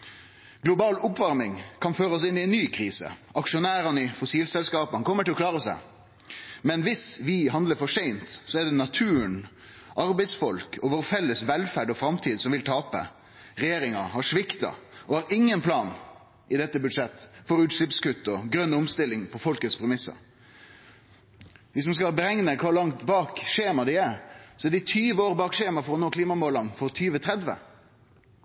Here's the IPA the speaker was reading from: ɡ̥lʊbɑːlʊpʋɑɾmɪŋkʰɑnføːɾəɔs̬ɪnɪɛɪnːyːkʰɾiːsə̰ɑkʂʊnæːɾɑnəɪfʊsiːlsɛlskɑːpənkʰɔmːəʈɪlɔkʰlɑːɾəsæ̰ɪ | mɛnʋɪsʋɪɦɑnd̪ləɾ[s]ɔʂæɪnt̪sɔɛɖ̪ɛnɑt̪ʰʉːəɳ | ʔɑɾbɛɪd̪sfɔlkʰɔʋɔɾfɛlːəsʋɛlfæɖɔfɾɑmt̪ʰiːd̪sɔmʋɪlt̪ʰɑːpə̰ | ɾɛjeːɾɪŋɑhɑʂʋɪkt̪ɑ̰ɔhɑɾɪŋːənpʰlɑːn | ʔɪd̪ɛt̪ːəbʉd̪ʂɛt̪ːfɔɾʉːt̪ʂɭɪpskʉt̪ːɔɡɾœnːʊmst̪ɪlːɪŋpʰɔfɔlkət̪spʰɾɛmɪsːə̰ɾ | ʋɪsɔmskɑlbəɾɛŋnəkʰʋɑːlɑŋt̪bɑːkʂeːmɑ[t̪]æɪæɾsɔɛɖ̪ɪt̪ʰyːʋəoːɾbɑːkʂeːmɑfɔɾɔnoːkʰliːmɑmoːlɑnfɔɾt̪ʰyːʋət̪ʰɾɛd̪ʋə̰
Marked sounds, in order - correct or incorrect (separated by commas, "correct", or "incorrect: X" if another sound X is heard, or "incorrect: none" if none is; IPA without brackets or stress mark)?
incorrect: f, incorrect: d̪